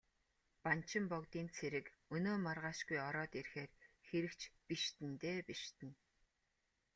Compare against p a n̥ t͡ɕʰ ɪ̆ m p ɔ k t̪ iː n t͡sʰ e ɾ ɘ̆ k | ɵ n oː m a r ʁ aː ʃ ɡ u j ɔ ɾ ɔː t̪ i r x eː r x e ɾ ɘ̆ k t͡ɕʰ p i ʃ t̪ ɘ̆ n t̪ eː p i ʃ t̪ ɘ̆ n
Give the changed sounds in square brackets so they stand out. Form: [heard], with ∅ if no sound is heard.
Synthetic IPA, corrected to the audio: p a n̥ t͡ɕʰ ɪ̆ m p ɔ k t̪ iː n t͡sʰ e ɾ ɘ̆ k | ɵ n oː m a r ʁ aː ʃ ɡ u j ɔ ɾ ɔː t̪ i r x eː r x e ɾ ɘ̆ k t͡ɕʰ p i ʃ t̪ ɘ̆ n t̪ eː p i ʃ t̪ ɘ̆ n